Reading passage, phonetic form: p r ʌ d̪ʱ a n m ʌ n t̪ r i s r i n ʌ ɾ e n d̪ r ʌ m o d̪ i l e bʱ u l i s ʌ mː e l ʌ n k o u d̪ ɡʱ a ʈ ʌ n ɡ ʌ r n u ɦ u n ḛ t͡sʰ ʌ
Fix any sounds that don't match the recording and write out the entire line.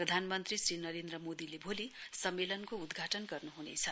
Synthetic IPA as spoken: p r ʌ d̪ʱ a n m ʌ n t̪ r i s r i n ʌ ɾ e n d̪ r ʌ m o d̪ i l e bʱ o l i s ʌ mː e l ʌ n k o u d̪ ɡʱ a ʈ ʌ n ɡ ʌ r n u ɦ u n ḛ t͡sʰ ʌ